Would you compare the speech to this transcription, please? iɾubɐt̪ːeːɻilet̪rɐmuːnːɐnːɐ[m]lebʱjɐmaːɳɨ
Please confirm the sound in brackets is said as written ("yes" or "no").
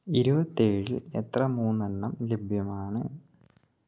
yes